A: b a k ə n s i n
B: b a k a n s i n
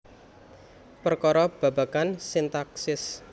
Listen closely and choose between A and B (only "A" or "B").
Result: B